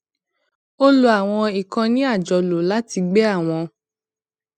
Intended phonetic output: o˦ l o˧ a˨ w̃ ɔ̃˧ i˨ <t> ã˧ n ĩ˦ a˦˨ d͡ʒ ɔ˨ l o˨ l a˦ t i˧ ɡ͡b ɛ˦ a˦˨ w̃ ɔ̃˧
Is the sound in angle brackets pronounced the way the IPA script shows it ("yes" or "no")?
no